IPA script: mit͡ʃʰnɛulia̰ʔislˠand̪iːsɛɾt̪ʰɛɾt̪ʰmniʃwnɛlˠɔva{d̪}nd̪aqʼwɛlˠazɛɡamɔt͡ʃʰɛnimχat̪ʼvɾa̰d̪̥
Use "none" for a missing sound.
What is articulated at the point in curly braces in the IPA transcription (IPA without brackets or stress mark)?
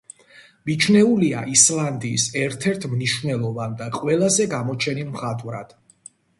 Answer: none